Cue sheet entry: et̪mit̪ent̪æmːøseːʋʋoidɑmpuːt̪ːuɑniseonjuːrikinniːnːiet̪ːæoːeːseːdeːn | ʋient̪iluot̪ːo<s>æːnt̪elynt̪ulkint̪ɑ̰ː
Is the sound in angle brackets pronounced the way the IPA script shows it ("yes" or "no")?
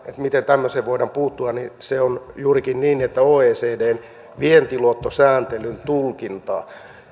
yes